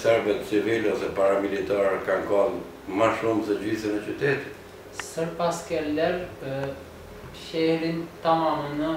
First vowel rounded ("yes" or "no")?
no